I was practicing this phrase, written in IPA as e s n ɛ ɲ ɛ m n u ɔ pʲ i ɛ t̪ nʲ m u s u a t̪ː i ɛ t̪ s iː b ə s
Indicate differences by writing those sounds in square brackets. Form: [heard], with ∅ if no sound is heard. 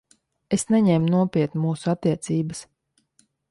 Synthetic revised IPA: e s n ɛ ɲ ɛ m n u ɔ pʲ i ɛ t̪ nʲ m [uː] s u a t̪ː i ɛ t̪ s iː b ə s